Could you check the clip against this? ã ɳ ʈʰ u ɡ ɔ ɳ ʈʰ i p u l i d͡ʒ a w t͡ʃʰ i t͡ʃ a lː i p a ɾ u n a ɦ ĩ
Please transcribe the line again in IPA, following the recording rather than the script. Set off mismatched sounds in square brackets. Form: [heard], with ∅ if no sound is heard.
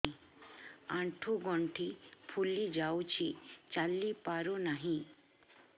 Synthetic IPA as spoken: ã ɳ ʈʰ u ɡ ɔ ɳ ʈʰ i [pʰ] u l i d͡ʒ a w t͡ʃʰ i t͡ʃ a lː i p a ɾ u n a ɦ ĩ